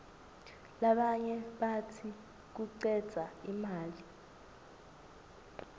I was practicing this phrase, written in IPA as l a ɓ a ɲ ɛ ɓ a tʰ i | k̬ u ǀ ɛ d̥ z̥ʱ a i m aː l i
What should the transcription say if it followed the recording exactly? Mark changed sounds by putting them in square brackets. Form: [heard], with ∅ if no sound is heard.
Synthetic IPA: l a ɓ a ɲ ɛ ɓ a tʰ i | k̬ u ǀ ɛ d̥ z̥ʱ a i m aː l i